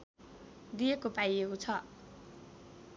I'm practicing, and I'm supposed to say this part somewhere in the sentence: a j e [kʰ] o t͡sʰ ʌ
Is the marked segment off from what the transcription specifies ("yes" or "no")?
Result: yes